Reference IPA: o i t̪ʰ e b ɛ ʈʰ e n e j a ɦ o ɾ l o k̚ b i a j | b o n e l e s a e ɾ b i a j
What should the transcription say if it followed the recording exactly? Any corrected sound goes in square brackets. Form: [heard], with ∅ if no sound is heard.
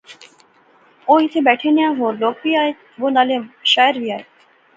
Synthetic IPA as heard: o i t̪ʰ e b ɛ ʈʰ e n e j a ɦ o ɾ l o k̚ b i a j | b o n [a] l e [ʃ] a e ɾ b i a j